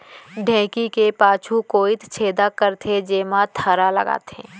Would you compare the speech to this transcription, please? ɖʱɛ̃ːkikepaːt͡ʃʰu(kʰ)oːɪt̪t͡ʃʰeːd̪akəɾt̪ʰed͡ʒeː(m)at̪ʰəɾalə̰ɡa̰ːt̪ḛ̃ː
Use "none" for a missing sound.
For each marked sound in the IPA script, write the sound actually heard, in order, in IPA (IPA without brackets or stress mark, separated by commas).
k, m